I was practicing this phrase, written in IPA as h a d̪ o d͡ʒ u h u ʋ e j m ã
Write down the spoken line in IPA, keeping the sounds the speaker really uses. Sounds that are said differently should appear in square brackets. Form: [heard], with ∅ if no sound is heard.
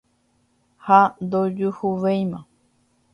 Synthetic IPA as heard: h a d̪ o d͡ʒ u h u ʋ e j m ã